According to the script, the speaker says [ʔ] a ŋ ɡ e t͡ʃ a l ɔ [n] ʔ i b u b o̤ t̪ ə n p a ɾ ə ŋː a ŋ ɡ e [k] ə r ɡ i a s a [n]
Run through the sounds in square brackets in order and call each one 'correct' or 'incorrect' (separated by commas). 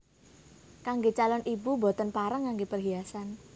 incorrect, correct, incorrect, correct